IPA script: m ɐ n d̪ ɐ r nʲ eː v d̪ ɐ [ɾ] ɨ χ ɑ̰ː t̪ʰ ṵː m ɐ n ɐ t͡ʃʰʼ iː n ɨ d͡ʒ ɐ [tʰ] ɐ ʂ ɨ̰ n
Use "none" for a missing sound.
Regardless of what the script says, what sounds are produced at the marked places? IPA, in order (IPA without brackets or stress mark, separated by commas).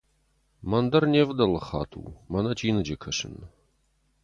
l, kʰ